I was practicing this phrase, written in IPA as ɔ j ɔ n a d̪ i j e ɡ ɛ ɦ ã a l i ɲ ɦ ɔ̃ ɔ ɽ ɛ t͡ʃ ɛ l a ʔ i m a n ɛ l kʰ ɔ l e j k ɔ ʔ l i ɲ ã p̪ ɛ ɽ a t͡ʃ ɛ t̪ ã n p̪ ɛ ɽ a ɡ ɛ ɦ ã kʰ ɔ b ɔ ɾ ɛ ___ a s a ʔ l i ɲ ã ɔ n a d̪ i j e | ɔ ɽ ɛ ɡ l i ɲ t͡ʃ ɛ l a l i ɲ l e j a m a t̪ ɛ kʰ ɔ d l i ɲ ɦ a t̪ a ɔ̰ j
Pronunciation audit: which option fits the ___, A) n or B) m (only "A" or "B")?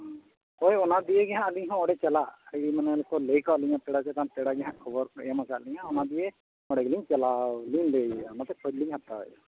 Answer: B